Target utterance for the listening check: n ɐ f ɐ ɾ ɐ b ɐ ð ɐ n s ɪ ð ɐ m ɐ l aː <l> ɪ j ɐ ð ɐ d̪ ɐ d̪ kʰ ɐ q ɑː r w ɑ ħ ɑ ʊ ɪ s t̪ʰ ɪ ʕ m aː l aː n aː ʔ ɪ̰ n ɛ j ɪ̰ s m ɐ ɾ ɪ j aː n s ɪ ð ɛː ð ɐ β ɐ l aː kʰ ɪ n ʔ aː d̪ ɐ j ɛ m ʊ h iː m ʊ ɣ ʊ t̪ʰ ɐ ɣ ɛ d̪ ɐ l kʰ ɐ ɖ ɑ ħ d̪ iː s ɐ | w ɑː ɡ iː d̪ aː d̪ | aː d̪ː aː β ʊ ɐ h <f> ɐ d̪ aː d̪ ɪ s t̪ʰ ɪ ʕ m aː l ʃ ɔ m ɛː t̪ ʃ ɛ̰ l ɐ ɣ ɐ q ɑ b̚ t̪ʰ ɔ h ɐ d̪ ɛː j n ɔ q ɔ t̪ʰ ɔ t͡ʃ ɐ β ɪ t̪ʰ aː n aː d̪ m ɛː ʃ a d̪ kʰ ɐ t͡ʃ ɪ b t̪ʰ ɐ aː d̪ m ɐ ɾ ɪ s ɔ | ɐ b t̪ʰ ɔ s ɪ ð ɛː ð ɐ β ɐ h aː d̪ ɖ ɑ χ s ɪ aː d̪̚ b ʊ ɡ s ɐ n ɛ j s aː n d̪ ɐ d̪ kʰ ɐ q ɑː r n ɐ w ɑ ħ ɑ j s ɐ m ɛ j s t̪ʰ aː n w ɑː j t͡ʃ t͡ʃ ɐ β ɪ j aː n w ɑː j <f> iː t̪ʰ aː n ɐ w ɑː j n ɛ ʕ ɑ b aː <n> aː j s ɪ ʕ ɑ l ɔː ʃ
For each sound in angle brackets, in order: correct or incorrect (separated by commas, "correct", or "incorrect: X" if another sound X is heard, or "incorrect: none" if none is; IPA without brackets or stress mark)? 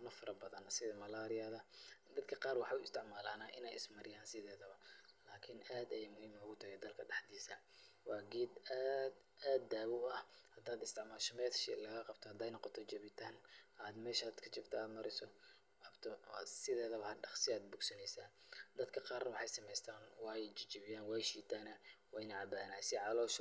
incorrect: ɾ, incorrect: h, incorrect: ʃ, correct